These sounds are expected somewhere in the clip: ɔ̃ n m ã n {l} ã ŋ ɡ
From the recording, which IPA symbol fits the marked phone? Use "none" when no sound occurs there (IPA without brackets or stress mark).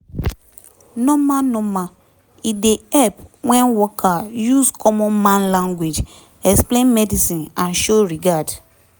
l